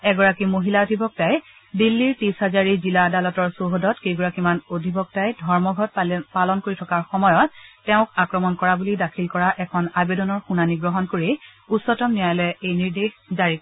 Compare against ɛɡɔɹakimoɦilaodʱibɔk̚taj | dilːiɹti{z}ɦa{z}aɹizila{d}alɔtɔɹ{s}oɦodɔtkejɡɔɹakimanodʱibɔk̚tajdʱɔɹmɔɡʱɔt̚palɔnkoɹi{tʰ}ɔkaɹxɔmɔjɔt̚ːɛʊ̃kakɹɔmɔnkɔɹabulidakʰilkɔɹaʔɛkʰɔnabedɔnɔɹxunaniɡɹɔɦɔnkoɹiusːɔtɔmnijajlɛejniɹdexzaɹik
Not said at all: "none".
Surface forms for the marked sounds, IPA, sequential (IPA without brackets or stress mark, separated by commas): s, z, d, s, tʰ